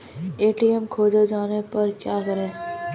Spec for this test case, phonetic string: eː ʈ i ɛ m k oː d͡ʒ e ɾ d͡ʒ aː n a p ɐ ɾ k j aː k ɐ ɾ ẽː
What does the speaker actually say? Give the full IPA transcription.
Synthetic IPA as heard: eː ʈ i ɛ m kʰ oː d͡ʒ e d͡ʒ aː n e p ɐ ɾ k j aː k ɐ ɾ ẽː